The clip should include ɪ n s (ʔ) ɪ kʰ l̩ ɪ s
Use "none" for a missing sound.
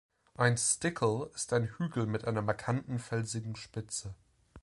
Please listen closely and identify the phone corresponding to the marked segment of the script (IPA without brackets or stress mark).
t